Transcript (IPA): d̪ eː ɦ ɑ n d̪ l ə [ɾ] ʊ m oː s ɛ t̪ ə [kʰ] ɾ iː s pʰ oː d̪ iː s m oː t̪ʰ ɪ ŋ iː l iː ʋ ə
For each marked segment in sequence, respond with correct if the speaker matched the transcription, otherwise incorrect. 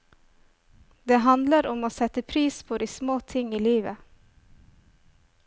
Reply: correct, incorrect

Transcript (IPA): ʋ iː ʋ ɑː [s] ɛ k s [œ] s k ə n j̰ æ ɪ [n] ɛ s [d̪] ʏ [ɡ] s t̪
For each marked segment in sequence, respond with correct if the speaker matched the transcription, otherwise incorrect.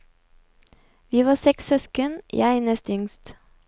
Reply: correct, correct, correct, incorrect, incorrect

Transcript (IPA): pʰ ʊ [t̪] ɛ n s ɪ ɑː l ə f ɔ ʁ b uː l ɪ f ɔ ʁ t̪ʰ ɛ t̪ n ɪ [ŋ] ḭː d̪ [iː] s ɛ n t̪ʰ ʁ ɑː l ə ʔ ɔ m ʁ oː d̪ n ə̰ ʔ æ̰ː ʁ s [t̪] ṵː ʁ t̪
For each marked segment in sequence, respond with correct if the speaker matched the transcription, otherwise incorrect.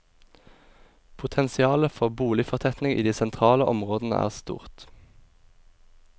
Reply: incorrect, correct, correct, correct

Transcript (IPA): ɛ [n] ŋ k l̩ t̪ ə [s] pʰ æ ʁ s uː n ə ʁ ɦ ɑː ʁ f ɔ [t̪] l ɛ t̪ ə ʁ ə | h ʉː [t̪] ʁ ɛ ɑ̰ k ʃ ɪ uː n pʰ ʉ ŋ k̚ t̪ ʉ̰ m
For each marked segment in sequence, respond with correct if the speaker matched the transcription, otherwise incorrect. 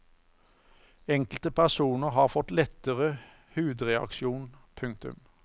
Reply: incorrect, incorrect, correct, incorrect

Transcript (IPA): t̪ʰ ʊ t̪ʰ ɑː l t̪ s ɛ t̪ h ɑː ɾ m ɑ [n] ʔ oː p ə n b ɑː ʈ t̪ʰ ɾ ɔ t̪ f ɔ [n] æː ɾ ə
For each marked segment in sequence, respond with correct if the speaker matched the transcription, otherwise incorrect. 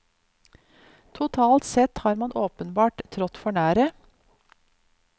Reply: correct, incorrect

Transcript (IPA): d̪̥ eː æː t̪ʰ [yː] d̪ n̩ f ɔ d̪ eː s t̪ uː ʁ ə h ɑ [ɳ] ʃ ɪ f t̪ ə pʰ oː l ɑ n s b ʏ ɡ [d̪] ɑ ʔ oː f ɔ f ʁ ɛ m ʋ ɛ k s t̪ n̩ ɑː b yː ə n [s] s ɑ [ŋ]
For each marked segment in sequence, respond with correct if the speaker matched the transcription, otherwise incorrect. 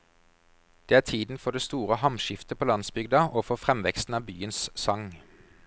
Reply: incorrect, incorrect, correct, correct, correct

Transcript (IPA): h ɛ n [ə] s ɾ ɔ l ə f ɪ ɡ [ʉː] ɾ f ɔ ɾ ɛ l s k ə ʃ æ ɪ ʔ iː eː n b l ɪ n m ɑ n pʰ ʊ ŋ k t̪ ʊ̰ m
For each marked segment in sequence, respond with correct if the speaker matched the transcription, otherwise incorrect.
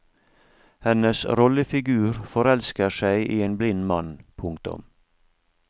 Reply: correct, correct

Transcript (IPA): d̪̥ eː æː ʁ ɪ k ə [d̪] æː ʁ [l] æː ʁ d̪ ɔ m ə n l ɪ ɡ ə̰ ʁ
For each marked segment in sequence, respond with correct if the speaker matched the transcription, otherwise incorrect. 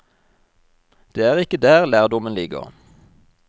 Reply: correct, correct

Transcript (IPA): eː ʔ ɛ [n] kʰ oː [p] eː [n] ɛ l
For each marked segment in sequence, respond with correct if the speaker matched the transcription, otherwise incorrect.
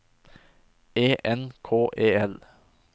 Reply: correct, incorrect, incorrect

